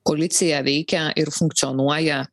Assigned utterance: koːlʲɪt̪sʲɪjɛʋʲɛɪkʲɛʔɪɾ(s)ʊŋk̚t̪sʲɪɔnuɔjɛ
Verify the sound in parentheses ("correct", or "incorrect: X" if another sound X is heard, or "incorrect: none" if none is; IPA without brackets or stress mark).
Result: incorrect: f